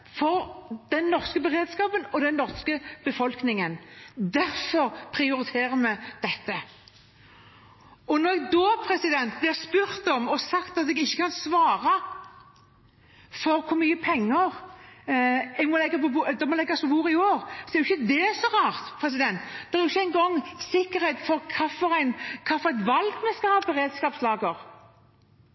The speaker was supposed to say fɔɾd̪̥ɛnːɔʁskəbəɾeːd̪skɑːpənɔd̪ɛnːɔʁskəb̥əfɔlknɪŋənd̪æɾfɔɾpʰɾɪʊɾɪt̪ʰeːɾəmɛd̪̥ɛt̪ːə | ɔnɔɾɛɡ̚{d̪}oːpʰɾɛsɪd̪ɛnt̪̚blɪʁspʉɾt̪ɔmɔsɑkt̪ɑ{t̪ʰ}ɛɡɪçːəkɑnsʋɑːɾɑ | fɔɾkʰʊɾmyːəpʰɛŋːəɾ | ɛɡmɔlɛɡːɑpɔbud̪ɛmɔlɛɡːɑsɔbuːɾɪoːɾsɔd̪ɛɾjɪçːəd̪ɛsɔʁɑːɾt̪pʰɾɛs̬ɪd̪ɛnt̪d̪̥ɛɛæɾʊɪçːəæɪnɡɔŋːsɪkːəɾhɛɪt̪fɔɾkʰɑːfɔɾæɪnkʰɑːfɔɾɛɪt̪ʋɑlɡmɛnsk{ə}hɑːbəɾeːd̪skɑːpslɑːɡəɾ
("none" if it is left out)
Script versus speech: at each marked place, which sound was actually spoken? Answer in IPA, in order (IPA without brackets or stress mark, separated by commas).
d̪, t̪, ɑ